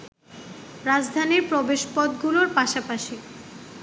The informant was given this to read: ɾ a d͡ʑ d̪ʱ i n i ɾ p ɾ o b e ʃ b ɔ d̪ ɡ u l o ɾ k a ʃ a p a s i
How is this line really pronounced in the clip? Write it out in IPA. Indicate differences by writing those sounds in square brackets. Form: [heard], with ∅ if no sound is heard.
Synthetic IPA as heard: ɾ a d͡ʑ d̪ʱ [a] n i ɾ p ɾ o b e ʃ [p] ɔ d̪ ɡ u l o ɾ [p] a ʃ a p a [ʃ] i